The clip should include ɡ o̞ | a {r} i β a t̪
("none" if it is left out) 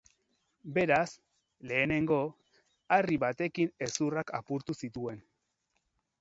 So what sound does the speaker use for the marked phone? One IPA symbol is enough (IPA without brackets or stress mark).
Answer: r